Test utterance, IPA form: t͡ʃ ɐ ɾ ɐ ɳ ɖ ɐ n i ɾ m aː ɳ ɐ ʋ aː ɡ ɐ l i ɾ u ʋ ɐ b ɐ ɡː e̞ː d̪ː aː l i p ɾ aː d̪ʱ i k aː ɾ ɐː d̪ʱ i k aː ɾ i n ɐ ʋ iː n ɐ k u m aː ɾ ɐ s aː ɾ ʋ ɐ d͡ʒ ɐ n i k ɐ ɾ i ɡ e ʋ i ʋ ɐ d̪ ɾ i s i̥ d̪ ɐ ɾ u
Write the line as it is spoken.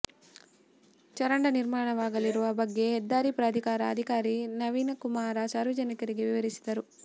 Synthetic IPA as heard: t͡ʃ ɐ ɾ ɐ ɳ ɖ ɐ n i ɾ m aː ɳ ɐ ʋ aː ɡ ɐ l i ɾ u ʋ ɐ b ɐ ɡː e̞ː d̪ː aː ɾ i p ɾ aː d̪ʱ i k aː ɾ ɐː d̪ʱ i k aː ɾ i n ɐ ʋ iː n ɐ k u m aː ɾ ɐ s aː ɾ ʋ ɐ d͡ʒ ɐ n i k ɐ ɾ i ɡ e ʋ i ʋ ɐ ɾ i s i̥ d̪ ɐ ɾ u